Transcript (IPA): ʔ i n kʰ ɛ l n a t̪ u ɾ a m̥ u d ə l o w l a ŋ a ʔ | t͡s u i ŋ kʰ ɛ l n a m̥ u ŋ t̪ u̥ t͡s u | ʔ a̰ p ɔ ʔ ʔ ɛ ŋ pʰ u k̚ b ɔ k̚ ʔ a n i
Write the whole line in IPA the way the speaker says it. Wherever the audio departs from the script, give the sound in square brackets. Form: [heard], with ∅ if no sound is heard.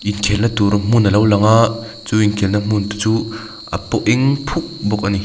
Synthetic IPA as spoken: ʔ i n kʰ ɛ l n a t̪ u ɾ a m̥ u [n] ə l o w l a ŋ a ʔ | t͡s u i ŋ kʰ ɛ l n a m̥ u [n] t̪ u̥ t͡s u | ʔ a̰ p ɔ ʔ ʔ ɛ ŋ pʰ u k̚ b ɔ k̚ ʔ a n i

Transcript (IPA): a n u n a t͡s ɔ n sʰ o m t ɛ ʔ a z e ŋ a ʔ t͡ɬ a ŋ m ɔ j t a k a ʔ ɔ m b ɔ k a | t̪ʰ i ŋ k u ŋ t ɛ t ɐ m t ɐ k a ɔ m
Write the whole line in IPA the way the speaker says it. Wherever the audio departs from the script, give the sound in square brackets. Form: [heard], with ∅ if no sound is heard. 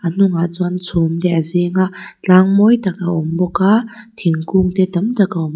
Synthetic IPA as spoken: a n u [ŋ] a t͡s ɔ n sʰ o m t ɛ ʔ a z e ŋ a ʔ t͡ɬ a ŋ m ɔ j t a k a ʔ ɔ m b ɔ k a | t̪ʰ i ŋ k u ŋ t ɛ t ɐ m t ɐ k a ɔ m

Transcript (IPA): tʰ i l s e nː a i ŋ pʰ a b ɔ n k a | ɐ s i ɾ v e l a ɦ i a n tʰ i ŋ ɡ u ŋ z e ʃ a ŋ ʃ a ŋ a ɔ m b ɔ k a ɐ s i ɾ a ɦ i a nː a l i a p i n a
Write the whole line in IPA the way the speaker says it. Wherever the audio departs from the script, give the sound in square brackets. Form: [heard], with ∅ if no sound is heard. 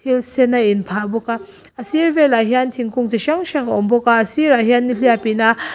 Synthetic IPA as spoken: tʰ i l s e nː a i [n] pʰ a b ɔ [∅] k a | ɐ s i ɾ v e l a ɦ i a n tʰ i ŋ [k] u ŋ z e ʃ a ŋ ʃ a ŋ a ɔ m b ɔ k a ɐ s i ɾ a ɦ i a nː [i] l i a p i n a

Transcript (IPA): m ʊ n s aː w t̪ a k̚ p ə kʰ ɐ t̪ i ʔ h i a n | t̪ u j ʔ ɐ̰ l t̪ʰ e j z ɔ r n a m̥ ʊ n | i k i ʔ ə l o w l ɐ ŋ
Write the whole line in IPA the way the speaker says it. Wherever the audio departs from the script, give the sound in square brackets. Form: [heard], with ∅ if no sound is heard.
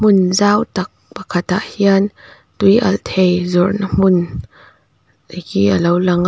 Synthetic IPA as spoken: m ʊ n [z] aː w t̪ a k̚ p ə kʰ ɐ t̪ [a] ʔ h i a n | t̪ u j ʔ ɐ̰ l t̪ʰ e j z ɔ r n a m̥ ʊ n | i k i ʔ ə l o w l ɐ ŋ

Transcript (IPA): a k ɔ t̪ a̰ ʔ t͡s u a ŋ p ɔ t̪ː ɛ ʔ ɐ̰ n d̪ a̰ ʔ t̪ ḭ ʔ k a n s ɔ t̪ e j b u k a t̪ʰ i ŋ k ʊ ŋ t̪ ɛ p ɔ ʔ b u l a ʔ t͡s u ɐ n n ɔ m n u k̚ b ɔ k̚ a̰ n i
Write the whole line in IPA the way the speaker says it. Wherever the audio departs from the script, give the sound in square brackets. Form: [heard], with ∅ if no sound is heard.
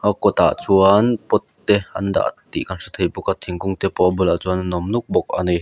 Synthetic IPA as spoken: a k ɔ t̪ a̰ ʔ t͡s u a [n] p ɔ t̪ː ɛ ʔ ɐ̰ n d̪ a̰ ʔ t̪ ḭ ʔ k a n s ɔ [t̪ʰ] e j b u k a t̪ʰ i ŋ k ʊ ŋ t̪ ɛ p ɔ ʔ b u l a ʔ t͡s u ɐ n n ɔ m n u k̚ b ɔ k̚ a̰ n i

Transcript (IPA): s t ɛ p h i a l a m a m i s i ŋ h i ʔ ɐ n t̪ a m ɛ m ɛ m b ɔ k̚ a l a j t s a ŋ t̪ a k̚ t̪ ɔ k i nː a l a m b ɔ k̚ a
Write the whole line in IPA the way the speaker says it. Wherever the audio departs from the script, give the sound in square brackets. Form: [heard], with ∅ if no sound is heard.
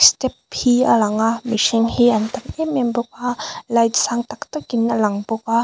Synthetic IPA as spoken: s t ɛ p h i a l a [ŋ] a m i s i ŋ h i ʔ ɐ n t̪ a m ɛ m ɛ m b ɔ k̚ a l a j t s a ŋ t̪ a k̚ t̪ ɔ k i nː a l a [ŋ] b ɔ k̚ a

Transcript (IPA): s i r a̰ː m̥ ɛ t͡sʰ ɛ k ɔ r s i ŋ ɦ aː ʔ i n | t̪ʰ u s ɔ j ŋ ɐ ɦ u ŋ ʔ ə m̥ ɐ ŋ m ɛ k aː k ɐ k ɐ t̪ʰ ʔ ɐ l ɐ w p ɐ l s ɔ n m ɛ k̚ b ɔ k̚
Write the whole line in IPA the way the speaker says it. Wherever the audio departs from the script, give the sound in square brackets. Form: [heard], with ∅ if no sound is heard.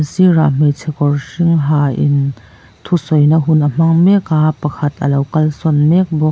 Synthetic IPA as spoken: s i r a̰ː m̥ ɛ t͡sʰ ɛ k ɔ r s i ŋ ɦ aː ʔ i n | t̪ʰ u s ɔ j [n] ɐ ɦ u [n] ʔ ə m̥ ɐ ŋ m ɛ k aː [p] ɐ [kʰ] ɐ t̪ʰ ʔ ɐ l ɐ w [k] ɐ l s ɔ n m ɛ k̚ b ɔ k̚

